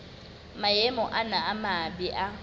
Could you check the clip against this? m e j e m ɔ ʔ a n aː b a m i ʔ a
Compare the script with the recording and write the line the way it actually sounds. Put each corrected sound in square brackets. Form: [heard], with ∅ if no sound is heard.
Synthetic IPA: m [a] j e m ɔ ʔ a n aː [m] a [b] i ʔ a